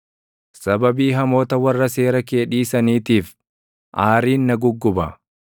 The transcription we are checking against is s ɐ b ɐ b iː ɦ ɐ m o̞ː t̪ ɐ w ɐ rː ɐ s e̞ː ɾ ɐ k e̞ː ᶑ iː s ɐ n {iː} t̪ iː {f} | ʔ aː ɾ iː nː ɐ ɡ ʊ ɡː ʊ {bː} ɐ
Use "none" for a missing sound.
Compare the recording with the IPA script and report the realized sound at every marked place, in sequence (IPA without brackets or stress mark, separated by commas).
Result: iː, f, b